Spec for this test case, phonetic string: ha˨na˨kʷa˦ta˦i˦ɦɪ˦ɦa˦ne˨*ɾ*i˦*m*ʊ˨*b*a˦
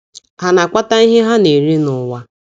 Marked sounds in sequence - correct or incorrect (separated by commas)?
correct, incorrect, incorrect